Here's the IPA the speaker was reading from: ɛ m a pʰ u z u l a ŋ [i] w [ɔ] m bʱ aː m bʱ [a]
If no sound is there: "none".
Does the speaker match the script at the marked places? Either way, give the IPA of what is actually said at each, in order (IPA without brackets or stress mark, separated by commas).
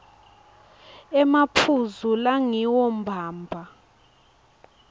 i, ɔ, a